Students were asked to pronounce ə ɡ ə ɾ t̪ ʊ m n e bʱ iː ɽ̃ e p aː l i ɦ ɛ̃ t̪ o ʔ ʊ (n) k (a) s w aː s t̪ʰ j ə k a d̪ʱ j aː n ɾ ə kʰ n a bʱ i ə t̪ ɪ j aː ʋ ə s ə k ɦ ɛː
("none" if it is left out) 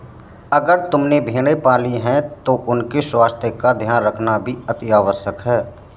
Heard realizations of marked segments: n, e

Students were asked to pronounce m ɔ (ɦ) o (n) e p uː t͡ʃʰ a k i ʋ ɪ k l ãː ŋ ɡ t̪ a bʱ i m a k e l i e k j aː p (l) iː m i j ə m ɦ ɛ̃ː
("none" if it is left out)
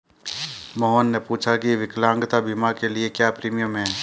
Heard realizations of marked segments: ɦ, nː, ɾ

